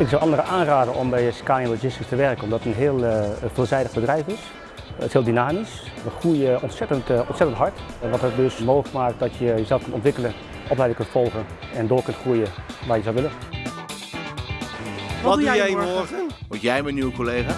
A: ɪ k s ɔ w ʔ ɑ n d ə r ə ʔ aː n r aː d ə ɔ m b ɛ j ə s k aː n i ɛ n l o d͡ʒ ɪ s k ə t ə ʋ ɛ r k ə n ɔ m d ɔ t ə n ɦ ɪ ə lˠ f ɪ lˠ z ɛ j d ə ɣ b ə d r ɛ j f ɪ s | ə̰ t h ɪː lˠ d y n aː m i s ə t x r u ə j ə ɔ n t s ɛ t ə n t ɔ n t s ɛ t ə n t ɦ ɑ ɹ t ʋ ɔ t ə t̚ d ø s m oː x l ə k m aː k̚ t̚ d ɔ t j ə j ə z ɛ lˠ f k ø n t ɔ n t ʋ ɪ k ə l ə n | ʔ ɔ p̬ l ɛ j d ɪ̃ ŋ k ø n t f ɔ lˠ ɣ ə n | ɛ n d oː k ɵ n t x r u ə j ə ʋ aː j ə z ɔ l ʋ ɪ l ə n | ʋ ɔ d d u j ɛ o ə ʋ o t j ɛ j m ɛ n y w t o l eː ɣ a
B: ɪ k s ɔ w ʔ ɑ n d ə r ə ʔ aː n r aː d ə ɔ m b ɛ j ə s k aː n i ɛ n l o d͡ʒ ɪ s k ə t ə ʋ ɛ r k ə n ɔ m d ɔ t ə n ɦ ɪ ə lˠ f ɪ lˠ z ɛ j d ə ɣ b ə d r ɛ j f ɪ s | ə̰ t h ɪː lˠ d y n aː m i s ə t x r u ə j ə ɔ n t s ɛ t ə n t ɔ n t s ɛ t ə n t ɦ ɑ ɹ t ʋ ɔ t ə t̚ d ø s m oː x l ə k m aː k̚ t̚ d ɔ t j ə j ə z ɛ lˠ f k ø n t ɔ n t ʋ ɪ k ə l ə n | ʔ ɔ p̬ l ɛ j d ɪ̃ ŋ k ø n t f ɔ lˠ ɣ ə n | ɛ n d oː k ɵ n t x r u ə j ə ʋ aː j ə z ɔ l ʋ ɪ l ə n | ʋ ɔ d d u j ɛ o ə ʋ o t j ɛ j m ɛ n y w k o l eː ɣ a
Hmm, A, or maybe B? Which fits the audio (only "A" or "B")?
B